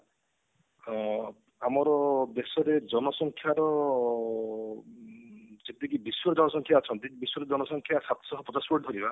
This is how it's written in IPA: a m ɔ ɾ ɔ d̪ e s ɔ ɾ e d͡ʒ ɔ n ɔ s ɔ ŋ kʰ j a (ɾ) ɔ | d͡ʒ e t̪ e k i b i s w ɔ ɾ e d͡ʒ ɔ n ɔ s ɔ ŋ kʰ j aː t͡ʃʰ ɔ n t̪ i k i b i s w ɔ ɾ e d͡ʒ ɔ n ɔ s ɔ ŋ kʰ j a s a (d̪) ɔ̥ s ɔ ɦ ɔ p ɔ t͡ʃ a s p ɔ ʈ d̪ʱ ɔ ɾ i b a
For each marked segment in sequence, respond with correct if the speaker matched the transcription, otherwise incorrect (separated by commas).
correct, incorrect